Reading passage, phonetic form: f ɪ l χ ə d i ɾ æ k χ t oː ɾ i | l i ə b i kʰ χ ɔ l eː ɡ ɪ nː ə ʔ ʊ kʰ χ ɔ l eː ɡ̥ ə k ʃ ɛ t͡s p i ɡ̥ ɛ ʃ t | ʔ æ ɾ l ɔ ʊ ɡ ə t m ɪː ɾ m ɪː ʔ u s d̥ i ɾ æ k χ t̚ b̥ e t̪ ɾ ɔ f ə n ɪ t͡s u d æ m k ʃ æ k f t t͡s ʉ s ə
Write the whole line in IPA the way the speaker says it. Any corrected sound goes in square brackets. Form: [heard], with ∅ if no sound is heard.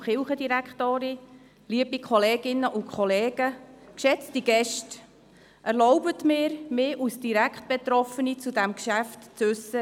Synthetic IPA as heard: [χ] ɪ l χ ə d i ɾ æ k χ t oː ɾ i | l i ə b i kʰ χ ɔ l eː ɡ ɪ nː ə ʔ ʊ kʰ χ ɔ l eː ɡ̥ ə k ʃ ɛ t͡s [t] i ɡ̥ ɛ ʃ t | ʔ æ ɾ l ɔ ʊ [b] ə t m ɪː ɾ m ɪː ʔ u s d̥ i ɾ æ k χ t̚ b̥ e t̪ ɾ ɔ f ə n [i] t͡s u d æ m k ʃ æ [∅] f t t͡s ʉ s ə